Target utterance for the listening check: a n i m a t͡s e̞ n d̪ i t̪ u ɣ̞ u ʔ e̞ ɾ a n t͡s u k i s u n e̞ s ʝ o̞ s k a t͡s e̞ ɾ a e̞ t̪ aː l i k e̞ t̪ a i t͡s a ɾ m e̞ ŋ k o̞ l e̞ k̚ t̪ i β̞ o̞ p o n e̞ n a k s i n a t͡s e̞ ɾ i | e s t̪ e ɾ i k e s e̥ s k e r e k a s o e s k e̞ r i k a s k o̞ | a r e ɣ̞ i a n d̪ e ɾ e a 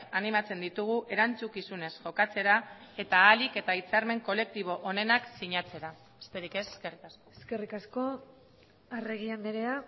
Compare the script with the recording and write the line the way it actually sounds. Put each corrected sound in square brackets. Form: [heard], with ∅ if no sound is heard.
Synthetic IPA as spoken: a n i m a t͡s e̞ n d̪ i t̪ u ɣ̞ u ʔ e̞ ɾ a n t͡s u k i s u n e̞ s ʝ o̞ [∅] k a t͡s e̞ ɾ a e̞ t̪ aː l i k e̞ t̪ a i t͡s a ɾ m e̞ ŋ k o̞ l e̞ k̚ t̪ i β̞ o̞ [ʔ] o n e̞ n a k s i [ɲ] a t͡s e̞ ɾ [a] | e s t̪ e ɾ i k e s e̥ s k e r [i] k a s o e s k e̞ r i k a s k o̞ | a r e ɣ̞ i a n d̪ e ɾ e a